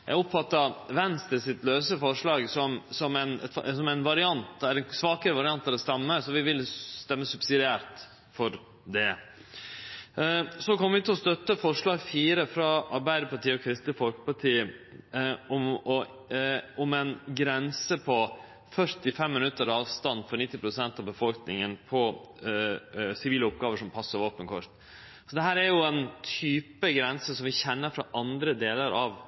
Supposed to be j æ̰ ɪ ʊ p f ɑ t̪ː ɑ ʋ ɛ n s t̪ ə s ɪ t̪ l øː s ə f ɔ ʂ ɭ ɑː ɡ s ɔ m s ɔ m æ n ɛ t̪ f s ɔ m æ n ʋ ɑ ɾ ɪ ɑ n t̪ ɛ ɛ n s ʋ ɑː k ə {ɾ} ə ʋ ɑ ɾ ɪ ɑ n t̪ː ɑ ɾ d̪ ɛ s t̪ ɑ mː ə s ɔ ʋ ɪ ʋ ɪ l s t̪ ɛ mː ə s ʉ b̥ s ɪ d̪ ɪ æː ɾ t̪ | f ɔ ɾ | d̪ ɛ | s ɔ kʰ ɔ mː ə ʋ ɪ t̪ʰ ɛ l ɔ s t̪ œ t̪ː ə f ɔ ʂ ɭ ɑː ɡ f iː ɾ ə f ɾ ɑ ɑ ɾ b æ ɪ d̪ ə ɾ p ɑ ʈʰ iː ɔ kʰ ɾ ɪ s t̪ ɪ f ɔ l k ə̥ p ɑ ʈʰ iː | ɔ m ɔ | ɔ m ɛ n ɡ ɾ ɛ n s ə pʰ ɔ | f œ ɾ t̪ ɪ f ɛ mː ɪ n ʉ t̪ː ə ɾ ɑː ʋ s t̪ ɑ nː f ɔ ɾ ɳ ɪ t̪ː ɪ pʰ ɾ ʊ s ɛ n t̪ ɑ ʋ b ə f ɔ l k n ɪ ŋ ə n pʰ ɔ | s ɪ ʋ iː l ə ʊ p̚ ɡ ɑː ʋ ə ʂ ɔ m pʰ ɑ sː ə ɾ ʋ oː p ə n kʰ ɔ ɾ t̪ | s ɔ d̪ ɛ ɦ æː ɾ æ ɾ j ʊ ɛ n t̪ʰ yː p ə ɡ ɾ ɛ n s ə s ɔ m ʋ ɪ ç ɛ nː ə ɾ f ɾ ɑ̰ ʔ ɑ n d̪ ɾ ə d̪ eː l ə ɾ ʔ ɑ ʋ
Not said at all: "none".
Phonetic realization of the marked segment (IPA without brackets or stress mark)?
ɾ